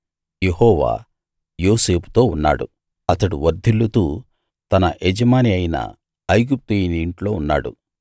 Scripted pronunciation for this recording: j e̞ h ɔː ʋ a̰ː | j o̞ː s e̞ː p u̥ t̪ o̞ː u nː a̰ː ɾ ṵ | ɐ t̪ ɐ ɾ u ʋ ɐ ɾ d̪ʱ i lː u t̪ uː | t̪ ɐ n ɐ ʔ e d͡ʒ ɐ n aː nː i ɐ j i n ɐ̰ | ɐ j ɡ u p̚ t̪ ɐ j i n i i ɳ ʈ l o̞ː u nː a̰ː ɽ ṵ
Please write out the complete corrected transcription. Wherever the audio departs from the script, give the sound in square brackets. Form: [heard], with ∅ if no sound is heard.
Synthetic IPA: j e̞ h ɔː ʋ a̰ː | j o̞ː s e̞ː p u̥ t̪ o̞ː u nː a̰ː [ɽ] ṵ | ɐ t̪ ɐ [ɽ] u ʋ ɐ ɾ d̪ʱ i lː u t̪ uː | t̪ ɐ n ɐ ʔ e d͡ʒ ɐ [m] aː [n] i ɐ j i n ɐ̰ | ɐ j ɡ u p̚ t̪ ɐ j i n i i ɳ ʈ l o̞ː u nː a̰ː ɽ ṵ

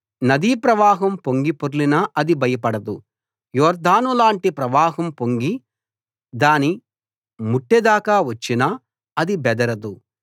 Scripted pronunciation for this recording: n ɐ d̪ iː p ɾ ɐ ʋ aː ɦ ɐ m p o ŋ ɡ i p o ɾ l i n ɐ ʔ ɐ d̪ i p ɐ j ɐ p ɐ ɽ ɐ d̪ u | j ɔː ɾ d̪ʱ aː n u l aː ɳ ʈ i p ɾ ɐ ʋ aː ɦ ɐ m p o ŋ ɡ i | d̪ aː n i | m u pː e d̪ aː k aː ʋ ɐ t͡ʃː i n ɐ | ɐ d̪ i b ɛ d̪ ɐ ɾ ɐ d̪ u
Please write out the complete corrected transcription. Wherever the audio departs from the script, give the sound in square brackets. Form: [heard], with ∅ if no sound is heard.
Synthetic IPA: n ɐ d̪ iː p ɾ ɐ ʋ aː ɦ ɐ m p o ŋ ɡ i p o ɾ l i n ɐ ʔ ɐ d̪ i [b] ɐ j ɐ p ɐ ɽ ɐ d̪ u | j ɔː ɾ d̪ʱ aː n u l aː ɳ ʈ i p ɾ ɐ ʋ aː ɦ ɐ m p o ŋ ɡ i | d̪ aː n i | m u [ʈː] e d̪ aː k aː ʋ ɐ t͡ʃː i n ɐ | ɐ d̪ i b ɛ d̪ ɐ ɾ ɐ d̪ u

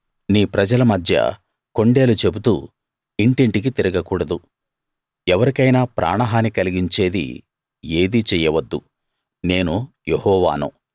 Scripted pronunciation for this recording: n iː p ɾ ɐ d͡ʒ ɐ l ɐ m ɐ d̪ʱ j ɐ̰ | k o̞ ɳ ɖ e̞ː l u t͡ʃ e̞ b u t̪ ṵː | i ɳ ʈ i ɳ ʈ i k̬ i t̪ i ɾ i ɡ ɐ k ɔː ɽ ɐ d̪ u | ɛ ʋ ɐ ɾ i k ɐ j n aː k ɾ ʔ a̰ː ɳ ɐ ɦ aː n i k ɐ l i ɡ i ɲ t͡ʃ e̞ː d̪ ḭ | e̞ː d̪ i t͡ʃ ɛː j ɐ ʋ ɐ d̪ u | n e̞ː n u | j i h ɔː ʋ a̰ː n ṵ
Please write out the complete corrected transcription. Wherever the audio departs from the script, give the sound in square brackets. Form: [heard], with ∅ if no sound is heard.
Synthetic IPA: n iː p ɾ ɐ d͡ʒ ɐ l ɐ m ɐ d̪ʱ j ɐ̰ | k o̞ ɳ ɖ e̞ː l u t͡ʃ e̞ b u t̪ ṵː | i ɳ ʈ i ɳ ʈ i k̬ i t̪ i ɾ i ɡ ɐ k [uː] ɽ ɐ d̪ u | ɛ ʋ ɐ ɾ i k ɐ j n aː [p] ɾ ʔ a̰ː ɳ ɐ ɦ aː n i k ɐ l i ɡ i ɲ t͡ʃ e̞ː d̪ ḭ | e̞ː d̪ i t͡ʃ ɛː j ɐ ʋ ɐ [d̪ː] u | n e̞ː n u | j [e] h ɔː ʋ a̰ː n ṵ

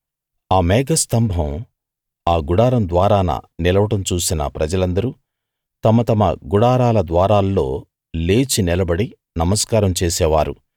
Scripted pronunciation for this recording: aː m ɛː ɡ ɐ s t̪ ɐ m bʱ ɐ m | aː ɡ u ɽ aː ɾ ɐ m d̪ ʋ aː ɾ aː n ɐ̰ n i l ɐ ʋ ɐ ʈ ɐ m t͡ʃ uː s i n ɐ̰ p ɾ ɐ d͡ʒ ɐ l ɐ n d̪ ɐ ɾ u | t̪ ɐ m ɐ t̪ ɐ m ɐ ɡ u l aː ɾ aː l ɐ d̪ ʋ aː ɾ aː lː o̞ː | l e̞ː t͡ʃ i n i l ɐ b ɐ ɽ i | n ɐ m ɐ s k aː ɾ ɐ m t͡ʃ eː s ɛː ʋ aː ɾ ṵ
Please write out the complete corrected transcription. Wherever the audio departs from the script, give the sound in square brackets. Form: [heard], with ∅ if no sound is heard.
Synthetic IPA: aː m ɛː ɡ ɐ s t̪ ɐ m bʱ ɐ m | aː ɡ u ɽ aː ɾ ɐ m d̪ ʋ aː ɾ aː n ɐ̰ n i l ɐ ʋ ɐ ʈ ɐ m t͡ʃ uː s i n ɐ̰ p ɾ ɐ d͡ʒ ɐ l ɐ n d̪ ɐ ɾ u | t̪ ɐ m ɐ t̪ ɐ m ɐ ɡ u [ɽ] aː ɾ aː l ɐ d̪ ʋ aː ɾ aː lː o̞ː | l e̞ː t͡ʃ i n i l ɐ b ɐ ɽ i | n ɐ m ɐ s k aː ɾ ɐ m t͡ʃ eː s ɛː ʋ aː ɾ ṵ

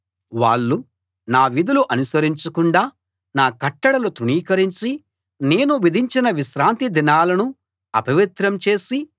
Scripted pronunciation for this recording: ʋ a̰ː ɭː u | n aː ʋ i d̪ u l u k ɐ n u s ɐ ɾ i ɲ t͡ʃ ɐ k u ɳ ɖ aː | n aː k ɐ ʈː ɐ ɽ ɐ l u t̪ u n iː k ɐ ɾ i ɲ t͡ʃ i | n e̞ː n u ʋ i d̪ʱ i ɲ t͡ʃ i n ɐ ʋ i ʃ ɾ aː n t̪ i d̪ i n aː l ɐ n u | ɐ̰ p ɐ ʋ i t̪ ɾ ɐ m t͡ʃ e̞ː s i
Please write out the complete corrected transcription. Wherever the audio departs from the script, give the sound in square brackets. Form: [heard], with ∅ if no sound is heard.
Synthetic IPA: ʋ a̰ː ɭː u | n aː ʋ i d̪ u l u [ʔ] ɐ n u s ɐ ɾ i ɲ t͡ʃ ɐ k u ɳ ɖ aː | n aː k ɐ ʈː ɐ ɽ ɐ l u t̪ u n iː k ɐ ɾ i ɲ t͡ʃ i | n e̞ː n u ʋ i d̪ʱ i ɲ t͡ʃ i n ɐ ʋ i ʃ ɾ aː n t̪ i d̪ i n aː l ɐ n u | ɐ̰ p ɐ ʋ i t̪ ɾ ɐ m t͡ʃ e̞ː s i

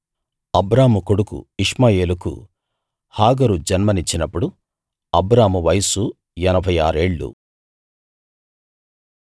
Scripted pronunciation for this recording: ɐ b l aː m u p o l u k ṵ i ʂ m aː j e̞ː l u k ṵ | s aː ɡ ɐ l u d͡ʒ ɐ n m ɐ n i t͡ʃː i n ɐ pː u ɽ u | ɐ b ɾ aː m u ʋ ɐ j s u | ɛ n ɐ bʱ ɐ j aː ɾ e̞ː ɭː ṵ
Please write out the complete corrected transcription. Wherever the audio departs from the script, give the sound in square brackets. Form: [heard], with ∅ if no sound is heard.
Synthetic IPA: ɐ b [ɾ] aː m u [k] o [ɽ] u k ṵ i ʂ m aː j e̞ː l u k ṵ | [h] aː ɡ ɐ [ɾ] u d͡ʒ ɐ n m ɐ n i t͡ʃː i n ɐ pː u ɽ u | ɐ b ɾ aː m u ʋ ɐ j s u | ɛ n ɐ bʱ ɐ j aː ɾ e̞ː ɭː ṵ

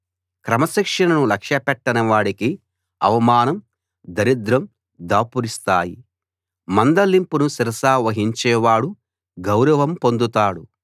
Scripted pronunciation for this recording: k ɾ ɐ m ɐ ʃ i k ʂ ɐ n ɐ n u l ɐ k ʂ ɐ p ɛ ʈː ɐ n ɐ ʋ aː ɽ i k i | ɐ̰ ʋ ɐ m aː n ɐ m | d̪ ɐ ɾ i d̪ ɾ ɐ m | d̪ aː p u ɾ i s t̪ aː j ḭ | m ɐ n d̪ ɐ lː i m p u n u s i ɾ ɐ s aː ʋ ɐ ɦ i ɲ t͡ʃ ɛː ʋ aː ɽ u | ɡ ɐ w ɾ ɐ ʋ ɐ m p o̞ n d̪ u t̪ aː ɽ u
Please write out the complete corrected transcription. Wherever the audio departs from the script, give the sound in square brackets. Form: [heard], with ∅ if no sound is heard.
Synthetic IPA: k ɾ ɐ m ɐ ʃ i k ʂ ɐ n ɐ n u l ɐ k ʂ ɐ p ɛ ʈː ɐ n ɐ ʋ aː ɽ i k i | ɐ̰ ʋ ɐ m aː n ɐ m | d̪ ɐ ɾ i d̪ ɾ ɐ m | d̪ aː p u ɾ i s t̪ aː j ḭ | m ɐ n d̪ ɐ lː i m p u n u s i ɾ ɐ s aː ʋ ɐ ɦ i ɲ t͡ʃ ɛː ʋ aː ɽ u | ɡ ɐ w ɾ ɐ ʋ ɐ m p o̞ n d̪ u t̪ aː ɽ u

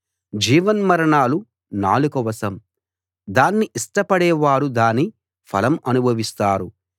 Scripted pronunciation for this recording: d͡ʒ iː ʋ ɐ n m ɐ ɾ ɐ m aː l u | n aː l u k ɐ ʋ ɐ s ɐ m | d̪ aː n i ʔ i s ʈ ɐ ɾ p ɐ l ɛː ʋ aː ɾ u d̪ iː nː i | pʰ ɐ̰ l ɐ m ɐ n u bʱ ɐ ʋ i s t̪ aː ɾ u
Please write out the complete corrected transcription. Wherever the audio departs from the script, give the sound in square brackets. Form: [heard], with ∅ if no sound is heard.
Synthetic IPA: d͡ʒ iː ʋ ɐ n m ɐ ɾ ɐ [ɳ] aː l u | n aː l u k ɐ ʋ ɐ s ɐ m | d̪ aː [nː] i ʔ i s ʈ ɐ [∅] p ɐ [ɽ] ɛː ʋ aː ɾ u d̪ [aː] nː i | pʰ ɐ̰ l ɐ m ɐ n u bʱ ɐ ʋ i s t̪ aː ɾ u

